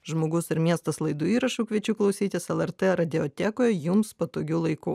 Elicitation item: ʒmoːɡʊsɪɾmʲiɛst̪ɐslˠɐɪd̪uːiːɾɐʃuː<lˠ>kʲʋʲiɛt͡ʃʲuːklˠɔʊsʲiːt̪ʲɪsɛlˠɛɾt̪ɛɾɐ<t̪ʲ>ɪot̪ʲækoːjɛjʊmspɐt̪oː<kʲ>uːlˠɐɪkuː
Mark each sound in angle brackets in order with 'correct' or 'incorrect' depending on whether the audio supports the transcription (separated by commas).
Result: incorrect, incorrect, incorrect